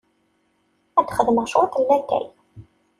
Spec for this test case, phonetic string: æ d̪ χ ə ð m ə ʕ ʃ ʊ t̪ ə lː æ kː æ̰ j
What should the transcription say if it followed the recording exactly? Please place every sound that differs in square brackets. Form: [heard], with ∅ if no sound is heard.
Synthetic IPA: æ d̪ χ ə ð m ə [ʁ] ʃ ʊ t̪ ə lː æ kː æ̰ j